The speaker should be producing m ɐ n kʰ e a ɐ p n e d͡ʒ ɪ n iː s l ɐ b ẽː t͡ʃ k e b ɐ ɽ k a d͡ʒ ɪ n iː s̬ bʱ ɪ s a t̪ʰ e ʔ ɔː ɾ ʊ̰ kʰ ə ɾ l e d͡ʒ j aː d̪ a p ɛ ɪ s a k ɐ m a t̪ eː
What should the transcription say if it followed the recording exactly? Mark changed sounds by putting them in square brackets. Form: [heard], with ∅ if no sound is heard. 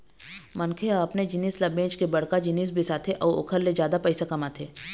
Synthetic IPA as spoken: m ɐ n kʰ e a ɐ p n e d͡ʒ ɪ n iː s l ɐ b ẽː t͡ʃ k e b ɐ ɽ k a d͡ʒ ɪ n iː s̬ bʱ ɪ s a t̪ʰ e ʔ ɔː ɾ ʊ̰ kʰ ə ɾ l e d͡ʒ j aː d̪ a p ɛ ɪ s a k ɐ m a [t̪ʰ] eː